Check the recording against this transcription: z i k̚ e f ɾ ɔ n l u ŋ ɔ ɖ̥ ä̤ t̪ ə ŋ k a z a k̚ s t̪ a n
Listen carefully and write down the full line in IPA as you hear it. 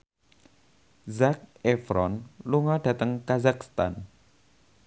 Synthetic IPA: z a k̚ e f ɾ ɔ n l u ŋ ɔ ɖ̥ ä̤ t̪ ə ŋ k a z a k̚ s t̪ a n